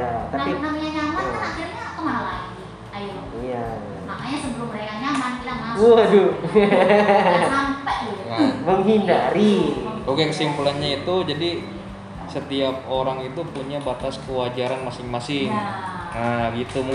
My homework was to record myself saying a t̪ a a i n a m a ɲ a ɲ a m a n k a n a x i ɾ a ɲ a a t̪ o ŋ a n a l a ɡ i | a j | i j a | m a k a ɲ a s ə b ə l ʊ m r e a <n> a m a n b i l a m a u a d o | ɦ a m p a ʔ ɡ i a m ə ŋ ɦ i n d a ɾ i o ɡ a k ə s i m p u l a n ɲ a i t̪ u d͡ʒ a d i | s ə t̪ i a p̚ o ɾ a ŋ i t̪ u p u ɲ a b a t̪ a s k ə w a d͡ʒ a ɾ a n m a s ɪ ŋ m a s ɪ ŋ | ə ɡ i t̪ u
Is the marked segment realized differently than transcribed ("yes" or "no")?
yes